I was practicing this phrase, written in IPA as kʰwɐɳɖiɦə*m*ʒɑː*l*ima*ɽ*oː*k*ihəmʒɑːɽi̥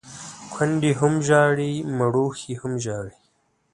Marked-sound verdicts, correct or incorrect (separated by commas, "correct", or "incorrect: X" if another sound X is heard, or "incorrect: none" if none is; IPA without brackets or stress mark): correct, incorrect: ɽ, correct, incorrect: x